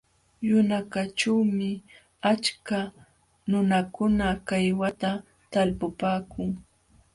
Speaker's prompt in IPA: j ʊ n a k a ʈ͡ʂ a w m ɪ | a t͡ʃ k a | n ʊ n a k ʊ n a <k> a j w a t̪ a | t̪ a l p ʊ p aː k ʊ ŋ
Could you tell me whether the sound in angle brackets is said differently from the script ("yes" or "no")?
no